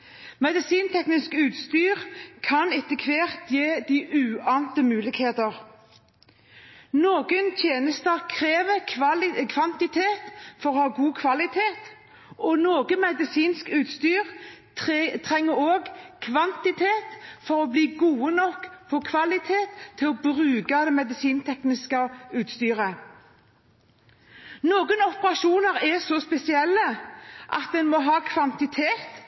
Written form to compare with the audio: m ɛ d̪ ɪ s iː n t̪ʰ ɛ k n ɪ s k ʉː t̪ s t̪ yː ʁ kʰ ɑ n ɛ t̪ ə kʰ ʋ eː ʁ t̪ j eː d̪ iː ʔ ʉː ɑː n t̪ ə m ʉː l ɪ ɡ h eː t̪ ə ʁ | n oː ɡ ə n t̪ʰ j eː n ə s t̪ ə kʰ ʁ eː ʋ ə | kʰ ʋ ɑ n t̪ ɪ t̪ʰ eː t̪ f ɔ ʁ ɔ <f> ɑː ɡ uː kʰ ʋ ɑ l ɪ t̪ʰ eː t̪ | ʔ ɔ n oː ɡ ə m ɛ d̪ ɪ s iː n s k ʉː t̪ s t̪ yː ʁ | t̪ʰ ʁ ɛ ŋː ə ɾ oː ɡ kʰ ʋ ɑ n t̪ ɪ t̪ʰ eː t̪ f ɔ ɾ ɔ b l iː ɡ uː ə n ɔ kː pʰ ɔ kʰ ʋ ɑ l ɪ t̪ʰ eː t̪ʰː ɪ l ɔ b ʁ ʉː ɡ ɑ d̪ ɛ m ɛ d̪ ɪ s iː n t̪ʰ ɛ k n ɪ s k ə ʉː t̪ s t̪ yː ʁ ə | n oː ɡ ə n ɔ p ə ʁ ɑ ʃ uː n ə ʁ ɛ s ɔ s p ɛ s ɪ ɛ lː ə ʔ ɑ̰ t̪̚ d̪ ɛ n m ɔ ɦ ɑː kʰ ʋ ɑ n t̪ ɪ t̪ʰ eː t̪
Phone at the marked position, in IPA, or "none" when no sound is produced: h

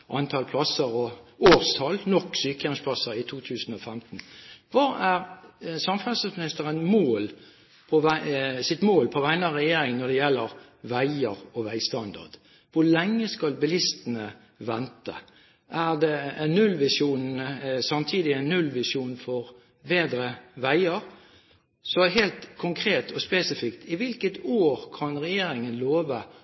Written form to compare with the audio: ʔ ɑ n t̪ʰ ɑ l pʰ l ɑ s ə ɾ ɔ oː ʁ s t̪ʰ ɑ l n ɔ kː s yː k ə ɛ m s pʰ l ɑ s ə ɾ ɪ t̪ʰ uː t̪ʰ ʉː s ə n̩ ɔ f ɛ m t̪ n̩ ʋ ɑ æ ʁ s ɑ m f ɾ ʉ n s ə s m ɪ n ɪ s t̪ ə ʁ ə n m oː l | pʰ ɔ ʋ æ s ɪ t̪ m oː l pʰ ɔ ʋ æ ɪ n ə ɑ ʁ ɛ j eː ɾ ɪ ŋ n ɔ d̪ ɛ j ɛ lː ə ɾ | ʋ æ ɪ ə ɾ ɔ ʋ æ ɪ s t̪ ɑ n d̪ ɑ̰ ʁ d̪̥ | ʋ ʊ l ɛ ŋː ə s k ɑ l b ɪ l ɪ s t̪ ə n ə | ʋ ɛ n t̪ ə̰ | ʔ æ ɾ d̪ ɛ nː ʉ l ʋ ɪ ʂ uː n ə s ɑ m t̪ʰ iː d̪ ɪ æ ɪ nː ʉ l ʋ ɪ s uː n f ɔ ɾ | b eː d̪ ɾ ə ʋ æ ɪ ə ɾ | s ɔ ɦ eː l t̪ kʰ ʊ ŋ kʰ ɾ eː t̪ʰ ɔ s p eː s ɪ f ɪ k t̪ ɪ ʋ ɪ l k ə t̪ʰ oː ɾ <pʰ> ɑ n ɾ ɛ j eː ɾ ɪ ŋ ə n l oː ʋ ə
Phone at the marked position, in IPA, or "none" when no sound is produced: kʰ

